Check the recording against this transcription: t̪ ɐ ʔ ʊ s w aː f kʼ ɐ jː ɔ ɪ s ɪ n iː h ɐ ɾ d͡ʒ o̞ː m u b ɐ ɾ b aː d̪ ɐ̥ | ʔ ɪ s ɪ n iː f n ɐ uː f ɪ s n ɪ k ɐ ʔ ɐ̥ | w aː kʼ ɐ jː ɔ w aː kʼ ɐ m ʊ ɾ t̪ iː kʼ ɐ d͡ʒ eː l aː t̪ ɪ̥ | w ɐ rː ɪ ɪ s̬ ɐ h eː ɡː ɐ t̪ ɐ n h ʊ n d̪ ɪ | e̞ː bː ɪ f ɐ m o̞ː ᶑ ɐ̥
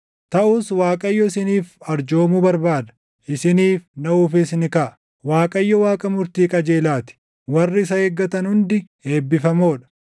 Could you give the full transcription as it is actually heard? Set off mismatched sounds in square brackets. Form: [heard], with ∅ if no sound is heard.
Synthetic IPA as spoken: t̪ ɐ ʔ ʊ s w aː [∅] kʼ ɐ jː ɔ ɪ s ɪ n iː [f] ɐ ɾ d͡ʒ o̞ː m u b ɐ ɾ b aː d̪ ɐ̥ | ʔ ɪ s ɪ n iː f n ɐ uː f ɪ s n ɪ k ɐ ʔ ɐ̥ | w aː kʼ ɐ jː ɔ w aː kʼ ɐ m ʊ ɾ t̪ iː kʼ ɐ d͡ʒ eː l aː t̪ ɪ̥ | w ɐ rː ɪ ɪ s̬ ɐ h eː ɡː ɐ t̪ ɐ n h ʊ n d̪ ɪ | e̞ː bː ɪ f ɐ m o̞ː ᶑ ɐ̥